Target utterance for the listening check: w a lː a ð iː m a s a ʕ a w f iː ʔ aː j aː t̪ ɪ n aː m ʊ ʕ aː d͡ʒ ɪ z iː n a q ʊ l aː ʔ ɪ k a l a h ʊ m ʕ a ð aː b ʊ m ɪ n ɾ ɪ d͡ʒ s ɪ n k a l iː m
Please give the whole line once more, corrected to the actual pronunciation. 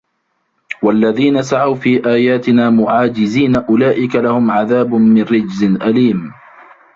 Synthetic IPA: w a lː a ð iː n a s a ʕ a w f iː ʔ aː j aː t̪ ɪ n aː m ʊ ʕ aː d͡ʒ ɪ z iː n a ʔ ʊ l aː ʔ ɪ k a l a h ʊ m ʕ a ð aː b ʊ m ɪ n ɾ ɪ d͡ʒ z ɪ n ʔ a l iː m